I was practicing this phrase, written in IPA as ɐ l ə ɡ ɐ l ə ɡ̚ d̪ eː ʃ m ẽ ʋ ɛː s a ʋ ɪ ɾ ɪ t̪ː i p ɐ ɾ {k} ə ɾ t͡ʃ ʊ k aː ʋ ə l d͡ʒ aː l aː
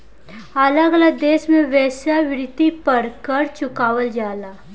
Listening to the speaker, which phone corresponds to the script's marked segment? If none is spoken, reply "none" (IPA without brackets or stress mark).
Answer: k